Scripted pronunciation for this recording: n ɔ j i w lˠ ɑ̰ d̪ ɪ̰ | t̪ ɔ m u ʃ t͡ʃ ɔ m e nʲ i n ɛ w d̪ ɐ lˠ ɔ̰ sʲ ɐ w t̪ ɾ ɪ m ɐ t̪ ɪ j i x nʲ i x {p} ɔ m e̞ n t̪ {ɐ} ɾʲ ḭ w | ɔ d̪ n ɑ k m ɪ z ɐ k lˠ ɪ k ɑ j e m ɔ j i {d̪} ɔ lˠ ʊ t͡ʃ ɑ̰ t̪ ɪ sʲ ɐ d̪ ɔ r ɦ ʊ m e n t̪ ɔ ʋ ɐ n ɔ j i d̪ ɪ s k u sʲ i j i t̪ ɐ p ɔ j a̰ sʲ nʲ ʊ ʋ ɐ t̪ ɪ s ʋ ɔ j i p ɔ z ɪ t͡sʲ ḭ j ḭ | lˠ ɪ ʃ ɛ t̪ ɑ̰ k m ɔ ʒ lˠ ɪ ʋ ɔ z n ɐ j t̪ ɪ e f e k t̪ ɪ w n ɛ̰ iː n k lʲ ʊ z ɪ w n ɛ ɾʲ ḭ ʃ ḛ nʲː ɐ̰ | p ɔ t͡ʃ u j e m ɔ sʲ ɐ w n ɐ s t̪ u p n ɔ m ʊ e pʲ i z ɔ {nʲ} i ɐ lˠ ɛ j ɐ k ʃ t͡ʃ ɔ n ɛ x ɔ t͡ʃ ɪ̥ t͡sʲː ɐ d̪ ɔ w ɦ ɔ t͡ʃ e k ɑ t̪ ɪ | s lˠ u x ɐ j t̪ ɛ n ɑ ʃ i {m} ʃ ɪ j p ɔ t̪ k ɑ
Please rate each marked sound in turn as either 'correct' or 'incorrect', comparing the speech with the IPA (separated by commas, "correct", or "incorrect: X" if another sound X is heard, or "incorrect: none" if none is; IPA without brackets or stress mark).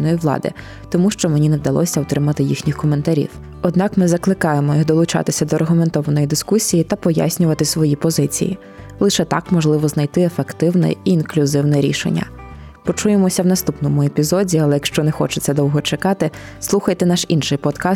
incorrect: k, correct, correct, incorrect: dʲ, incorrect: n